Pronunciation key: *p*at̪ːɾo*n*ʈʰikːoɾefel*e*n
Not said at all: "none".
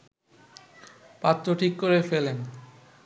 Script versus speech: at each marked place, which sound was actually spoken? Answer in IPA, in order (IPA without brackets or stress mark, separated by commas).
p, none, e